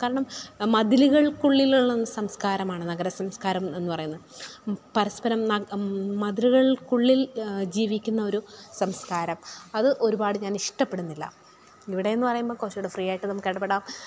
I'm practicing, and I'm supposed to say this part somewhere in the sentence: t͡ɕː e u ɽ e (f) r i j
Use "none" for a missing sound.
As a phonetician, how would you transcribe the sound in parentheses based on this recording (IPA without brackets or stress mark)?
f